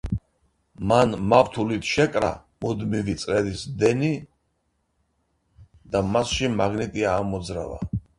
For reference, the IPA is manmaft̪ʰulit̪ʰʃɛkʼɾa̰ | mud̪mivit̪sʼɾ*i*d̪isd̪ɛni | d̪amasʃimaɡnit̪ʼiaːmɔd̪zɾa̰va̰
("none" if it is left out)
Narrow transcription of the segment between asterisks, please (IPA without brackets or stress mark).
ɛ